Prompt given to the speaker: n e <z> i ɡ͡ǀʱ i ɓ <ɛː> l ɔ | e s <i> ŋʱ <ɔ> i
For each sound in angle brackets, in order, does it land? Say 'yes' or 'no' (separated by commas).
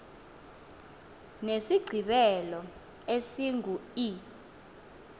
no, no, yes, no